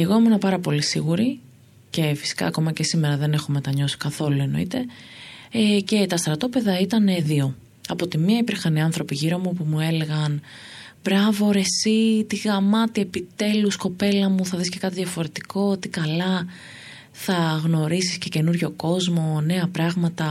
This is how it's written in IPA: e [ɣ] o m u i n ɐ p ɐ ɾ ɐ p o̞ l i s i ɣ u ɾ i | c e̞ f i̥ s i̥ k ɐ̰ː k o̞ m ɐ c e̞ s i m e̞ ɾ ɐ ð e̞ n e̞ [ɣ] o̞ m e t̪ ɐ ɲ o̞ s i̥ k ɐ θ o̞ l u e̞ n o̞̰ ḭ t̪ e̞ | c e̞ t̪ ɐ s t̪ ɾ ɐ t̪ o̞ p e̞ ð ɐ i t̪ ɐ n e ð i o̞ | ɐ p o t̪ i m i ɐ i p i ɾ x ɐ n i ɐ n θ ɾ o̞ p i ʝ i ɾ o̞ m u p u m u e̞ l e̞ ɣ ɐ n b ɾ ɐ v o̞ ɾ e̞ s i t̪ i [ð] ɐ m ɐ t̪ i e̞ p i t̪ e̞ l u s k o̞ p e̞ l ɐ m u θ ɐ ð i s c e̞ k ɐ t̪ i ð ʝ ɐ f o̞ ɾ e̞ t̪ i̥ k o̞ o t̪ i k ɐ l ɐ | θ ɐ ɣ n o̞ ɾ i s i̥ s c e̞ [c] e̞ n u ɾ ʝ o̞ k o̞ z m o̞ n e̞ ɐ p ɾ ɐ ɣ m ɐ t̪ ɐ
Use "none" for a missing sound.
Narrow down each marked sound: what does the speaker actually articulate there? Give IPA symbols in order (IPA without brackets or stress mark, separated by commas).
ɣ, x, ɣ, c